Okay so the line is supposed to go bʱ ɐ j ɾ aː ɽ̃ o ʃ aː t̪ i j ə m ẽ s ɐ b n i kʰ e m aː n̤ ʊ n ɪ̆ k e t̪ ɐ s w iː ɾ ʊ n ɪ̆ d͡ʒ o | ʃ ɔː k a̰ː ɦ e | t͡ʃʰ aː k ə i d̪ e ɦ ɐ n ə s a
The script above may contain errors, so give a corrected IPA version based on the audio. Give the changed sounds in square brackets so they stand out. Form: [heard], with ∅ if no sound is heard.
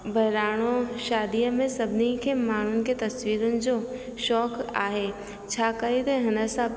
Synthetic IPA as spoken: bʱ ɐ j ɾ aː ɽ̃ o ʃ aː [d̪] i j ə m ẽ s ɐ b n i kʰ e m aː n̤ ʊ n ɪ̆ k e t̪ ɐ s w iː ɾ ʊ n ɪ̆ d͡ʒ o | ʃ ɔː k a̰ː ɦ e | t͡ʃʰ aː k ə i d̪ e ɦ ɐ n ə s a